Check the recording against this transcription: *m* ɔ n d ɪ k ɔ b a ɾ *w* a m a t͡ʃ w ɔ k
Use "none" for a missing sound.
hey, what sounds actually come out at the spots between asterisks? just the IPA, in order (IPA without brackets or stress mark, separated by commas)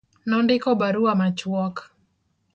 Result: n, u